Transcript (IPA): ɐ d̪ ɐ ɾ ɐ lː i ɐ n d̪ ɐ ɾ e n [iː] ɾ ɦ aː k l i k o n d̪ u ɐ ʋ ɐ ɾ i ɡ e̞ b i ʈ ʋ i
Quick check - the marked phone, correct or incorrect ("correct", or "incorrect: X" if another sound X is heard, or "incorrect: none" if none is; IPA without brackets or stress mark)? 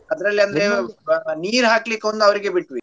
correct